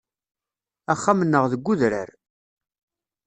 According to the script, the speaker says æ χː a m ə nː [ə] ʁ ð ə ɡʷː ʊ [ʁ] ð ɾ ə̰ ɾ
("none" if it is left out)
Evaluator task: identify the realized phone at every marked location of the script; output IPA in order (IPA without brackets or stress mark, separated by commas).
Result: ə, none